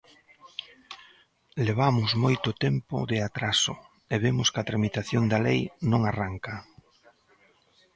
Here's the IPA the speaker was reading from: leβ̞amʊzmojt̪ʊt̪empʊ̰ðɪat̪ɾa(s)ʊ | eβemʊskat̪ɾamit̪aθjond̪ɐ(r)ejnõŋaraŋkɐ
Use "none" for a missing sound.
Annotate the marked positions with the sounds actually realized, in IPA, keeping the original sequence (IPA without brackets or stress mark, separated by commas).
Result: s, l